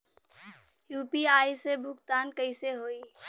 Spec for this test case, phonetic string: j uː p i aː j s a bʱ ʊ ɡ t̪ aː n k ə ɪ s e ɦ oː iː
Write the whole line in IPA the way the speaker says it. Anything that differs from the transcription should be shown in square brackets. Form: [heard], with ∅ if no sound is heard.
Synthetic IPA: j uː p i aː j s [e] bʱ ʊ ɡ t̪ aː n k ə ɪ s e ɦ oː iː